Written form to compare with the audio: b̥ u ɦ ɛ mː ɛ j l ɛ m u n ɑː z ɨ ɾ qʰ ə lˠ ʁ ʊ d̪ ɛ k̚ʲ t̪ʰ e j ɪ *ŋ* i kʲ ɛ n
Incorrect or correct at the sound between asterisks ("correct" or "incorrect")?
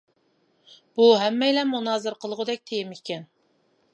incorrect